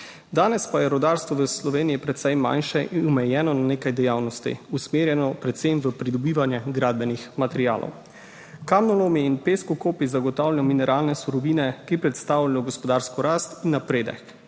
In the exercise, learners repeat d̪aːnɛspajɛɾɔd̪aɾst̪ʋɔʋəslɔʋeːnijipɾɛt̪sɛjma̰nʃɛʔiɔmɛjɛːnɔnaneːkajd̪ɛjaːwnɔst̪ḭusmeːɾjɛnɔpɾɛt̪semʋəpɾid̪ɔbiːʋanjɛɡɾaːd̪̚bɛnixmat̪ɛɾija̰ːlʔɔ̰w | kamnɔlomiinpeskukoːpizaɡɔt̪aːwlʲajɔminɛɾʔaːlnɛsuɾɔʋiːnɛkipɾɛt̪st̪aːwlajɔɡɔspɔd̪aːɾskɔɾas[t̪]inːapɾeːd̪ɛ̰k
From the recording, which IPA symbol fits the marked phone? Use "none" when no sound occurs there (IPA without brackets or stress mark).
t̪